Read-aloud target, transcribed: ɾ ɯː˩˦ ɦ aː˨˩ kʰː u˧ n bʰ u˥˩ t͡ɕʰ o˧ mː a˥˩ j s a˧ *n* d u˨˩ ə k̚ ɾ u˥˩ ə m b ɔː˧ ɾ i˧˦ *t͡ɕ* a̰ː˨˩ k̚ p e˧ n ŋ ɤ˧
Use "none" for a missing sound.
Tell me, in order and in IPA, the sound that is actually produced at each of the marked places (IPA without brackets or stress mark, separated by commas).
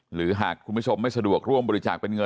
none, t͡ɕ